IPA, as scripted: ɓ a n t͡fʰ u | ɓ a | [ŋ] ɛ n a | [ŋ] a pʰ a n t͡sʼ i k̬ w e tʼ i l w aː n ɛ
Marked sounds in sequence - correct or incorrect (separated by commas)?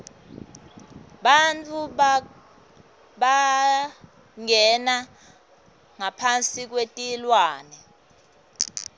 correct, correct